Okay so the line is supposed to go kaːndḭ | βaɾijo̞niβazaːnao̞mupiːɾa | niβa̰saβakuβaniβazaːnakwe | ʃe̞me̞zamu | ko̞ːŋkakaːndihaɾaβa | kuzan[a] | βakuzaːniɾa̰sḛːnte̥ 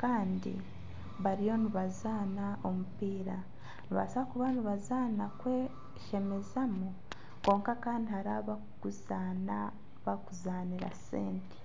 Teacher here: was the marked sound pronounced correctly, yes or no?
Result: yes